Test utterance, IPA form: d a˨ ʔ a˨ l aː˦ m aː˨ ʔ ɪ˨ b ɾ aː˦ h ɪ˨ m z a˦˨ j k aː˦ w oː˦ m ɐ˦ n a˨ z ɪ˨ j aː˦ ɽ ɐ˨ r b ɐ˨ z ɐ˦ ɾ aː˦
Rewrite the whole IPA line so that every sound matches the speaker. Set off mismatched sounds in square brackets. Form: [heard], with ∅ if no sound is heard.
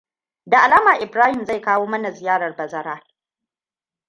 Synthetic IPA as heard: d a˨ ʔ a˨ l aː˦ m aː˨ ʔ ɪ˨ b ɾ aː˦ h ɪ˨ m z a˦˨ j k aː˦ w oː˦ m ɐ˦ n a˨ z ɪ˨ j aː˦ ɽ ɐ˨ r b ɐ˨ z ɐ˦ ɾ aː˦